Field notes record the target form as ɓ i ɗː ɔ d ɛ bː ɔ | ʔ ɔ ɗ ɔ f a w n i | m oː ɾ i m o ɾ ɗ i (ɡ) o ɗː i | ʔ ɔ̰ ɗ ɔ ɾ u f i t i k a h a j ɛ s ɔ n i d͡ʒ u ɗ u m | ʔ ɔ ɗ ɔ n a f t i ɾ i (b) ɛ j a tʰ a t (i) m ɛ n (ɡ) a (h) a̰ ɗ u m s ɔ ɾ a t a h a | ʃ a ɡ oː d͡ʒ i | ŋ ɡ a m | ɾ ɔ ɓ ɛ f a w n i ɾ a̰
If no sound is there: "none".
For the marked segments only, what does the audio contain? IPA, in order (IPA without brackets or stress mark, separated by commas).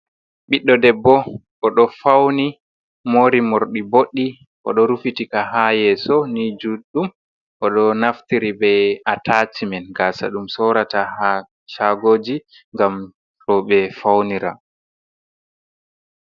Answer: b, b, i, ɡ, s